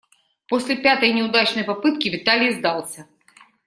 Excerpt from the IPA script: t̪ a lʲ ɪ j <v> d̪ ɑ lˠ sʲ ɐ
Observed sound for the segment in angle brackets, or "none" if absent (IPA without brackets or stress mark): z